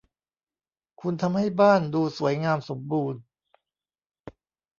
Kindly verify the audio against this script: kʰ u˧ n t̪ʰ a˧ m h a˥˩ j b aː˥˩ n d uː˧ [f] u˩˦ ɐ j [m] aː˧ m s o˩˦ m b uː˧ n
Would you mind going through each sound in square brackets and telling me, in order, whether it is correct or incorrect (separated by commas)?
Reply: incorrect, incorrect